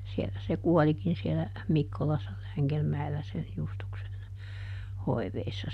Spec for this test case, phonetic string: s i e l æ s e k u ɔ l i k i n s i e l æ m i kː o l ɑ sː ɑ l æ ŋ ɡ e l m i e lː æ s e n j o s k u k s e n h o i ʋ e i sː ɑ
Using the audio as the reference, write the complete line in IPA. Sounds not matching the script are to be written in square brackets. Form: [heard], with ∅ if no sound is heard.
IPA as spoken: s i e l æ s e k u ɔ l i k i n s i e l æ m i kː o l ɑ sː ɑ l æ ŋ ɡ e l m [æ] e lː æ s e n j [u] s [t] u k s e n h o i ʋ e i sː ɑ